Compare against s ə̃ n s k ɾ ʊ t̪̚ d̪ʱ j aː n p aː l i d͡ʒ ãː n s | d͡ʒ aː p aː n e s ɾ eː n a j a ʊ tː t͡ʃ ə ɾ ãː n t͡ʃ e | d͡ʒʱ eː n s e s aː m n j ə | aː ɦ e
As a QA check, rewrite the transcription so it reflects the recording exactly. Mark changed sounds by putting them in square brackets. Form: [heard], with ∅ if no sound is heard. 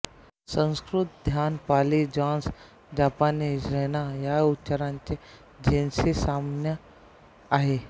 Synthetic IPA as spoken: s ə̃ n s k ɾ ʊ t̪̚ d̪ʱ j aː n p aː l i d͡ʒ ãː n s | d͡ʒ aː p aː n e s ɾ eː n a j a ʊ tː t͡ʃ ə ɾ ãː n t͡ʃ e | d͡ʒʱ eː n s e s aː m n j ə | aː ɦ e